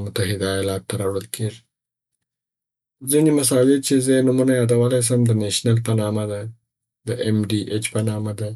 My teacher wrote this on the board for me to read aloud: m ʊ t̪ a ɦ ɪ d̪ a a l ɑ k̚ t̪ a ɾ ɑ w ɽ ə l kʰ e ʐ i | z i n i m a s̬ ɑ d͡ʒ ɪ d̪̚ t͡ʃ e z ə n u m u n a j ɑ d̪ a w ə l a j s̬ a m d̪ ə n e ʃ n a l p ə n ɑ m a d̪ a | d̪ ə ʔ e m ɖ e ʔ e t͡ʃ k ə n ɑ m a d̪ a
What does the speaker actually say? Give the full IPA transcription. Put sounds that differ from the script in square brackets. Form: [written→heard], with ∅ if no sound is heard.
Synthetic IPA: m ʊ t̪ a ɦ ɪ d̪ a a l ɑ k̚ t̪ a ɾ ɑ w ɽ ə l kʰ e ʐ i | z i n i m a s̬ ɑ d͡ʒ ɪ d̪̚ t͡ʃ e z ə n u m u n a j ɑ d̪ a w ə l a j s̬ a m d̪ ə n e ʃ n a l p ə n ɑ m a d̪ a | d̪ ə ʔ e m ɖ [e→i] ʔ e t͡ʃ [k→p] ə n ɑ m a d̪ a